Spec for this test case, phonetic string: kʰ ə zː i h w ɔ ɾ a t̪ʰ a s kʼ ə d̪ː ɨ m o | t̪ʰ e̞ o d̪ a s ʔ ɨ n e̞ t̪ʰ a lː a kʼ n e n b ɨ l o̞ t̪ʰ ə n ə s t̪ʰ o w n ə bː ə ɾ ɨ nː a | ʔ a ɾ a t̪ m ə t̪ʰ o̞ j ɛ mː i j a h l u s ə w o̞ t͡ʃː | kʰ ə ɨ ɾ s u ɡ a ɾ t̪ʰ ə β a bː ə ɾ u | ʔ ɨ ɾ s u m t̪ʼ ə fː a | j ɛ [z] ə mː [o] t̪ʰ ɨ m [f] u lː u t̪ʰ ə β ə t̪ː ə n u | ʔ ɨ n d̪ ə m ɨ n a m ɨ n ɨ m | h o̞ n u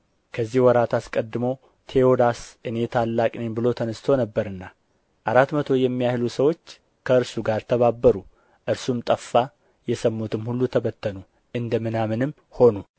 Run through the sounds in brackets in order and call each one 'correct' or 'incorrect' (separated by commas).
incorrect, incorrect, incorrect